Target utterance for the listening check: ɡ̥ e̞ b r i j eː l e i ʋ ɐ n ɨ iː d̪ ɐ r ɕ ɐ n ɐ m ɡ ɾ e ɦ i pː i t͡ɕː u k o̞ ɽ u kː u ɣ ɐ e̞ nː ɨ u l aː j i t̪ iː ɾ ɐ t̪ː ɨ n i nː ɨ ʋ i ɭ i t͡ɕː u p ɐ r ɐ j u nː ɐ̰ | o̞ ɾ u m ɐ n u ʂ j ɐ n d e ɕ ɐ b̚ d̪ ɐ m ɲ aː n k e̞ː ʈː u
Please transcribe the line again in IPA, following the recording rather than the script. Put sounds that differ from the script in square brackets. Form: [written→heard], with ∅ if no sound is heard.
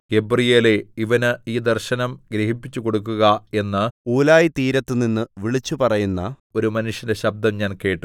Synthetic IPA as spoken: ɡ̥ e̞ b r i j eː l e i ʋ ɐ n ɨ iː d̪ ɐ r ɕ ɐ n ɐ m ɡ ɾ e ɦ i pː i t͡ɕː u k o̞ ɽ u kː u ɣ ɐ e̞ nː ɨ [u→uː] l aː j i t̪ iː ɾ ɐ t̪ː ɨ n i nː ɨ ʋ i ɭ i t͡ɕː u p ɐ r ɐ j u nː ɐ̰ | o̞ ɾ u m ɐ n u ʂ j ɐ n d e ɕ ɐ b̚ d̪ ɐ m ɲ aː n k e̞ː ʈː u